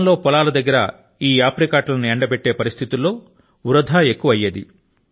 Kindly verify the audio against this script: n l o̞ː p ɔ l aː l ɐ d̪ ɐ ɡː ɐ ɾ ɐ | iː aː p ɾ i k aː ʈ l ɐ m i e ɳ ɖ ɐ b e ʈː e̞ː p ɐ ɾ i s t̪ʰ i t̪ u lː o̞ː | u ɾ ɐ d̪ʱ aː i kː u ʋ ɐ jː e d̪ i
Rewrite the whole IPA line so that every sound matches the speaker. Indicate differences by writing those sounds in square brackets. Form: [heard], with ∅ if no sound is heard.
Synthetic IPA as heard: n l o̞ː p ɔ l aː l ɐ d̪ ɐ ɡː ɐ ɾ ɐ | iː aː p ɾ i k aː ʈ l ɐ [n] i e ɳ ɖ ɐ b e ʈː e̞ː p ɐ ɾ i s t̪ʰ i t̪ u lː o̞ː | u ɾ ɐ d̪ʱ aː [e] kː u ʋ ɐ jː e d̪ i